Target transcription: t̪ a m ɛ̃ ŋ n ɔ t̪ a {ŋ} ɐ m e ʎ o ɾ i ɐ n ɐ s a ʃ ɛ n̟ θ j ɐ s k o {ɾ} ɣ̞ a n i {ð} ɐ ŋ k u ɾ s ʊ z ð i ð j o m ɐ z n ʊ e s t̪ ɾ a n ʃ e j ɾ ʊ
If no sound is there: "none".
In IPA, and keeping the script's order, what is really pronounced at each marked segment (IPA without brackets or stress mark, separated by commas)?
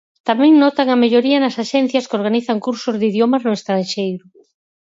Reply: ŋ, ɾ, θ